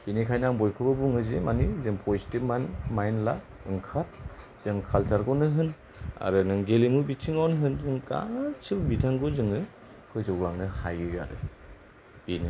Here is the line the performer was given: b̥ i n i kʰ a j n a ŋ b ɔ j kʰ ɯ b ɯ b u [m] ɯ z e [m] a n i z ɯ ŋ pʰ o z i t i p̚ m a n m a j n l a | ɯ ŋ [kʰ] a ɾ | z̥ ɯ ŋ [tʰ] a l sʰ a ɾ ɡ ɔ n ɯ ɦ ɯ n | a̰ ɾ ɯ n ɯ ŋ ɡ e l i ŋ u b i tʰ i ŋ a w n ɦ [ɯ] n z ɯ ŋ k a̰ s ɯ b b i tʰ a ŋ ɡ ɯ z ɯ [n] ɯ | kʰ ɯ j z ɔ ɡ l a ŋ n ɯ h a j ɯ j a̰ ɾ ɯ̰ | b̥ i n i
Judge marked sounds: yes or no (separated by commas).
no, yes, yes, no, yes, no